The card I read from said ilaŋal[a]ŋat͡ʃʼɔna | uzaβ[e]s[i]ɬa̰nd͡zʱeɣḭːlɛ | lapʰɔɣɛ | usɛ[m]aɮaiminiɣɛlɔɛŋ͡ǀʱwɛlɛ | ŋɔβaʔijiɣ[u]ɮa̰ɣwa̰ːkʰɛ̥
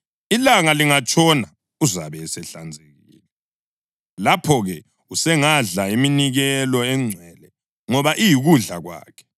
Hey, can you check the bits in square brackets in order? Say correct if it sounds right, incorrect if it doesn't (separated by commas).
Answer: incorrect, incorrect, incorrect, incorrect, correct